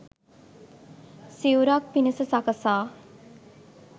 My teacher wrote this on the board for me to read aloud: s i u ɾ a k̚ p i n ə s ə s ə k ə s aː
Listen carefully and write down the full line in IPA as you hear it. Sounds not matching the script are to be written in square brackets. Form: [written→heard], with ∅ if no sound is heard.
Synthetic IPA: s i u ɾ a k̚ p i n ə s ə s [ə→a] k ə s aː